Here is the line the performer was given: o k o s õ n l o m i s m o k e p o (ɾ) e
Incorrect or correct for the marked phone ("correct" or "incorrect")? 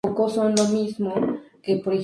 correct